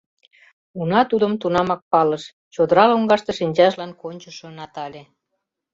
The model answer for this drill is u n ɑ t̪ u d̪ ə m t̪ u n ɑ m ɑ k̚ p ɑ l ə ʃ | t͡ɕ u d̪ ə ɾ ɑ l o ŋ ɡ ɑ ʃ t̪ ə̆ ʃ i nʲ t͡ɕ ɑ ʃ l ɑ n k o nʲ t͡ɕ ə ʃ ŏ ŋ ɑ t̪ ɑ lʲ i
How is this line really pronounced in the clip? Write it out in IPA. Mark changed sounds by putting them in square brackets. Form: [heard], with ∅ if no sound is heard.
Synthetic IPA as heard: u n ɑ t̪ u d̪ ə m t̪ u n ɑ m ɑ k̚ p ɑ l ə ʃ | t͡ɕ [o] d̪ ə ɾ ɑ l o ŋ ɡ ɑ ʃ t̪ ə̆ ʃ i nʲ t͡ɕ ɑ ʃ l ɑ n k o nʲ t͡ɕ ə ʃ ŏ [n] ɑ t̪ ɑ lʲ [e]